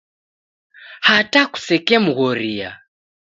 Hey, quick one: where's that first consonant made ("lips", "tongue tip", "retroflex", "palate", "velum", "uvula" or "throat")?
throat